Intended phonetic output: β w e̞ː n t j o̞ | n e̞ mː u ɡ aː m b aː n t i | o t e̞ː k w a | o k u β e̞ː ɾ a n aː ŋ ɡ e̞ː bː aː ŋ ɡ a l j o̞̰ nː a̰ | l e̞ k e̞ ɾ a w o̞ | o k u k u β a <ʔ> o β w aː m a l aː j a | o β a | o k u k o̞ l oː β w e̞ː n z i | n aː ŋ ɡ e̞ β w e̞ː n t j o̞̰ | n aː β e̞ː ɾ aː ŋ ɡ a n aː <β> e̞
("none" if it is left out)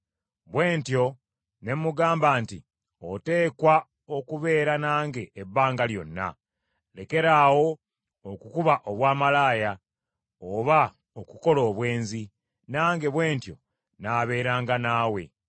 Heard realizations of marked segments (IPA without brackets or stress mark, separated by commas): ʔ, w